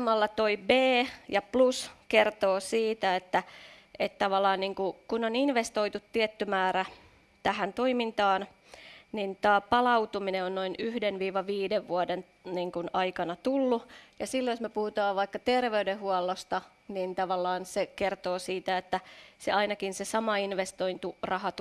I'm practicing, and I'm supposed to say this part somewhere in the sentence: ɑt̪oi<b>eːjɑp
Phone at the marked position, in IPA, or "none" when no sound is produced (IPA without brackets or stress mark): b